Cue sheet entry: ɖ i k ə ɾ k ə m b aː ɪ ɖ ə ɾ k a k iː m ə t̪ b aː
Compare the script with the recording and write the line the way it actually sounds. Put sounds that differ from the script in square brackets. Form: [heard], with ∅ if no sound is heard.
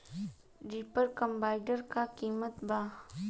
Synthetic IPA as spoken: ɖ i [p] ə ɾ k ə m b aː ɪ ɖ ə ɾ k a k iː m ə t̪ b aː